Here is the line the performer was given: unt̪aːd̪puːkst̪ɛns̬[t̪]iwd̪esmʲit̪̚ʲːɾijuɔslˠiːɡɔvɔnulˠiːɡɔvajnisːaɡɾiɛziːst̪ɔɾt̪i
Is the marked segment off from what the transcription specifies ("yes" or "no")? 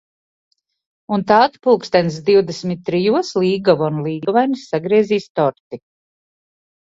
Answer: yes